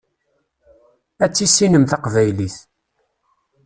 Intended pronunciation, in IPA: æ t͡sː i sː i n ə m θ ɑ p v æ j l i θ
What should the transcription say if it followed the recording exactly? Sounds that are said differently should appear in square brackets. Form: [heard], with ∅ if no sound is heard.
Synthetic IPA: æ t͡sː i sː i n ə m θ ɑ [q] v æ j l i θ